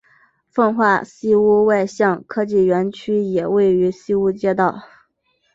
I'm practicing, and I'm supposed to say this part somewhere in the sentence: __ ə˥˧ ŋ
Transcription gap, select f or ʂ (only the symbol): f